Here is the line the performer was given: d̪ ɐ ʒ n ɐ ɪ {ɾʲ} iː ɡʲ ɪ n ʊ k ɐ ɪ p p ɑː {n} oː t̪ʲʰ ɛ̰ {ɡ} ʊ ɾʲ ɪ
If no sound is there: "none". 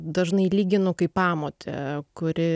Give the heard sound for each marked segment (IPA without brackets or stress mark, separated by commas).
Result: lʲ, m, k